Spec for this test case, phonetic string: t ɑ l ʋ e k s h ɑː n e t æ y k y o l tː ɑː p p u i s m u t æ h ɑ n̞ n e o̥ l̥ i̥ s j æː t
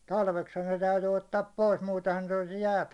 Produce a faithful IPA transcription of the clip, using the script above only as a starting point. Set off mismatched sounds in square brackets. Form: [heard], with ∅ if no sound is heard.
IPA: t ɑ l ʋ e k s h [ɑ] n e t æ y [t] y o [∅] tː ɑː p p [o] i s m [uː] t [e] h ɑ n̞ n e o̥ l̥ i̥ s j æː t